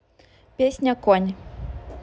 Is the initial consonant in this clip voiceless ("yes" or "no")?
yes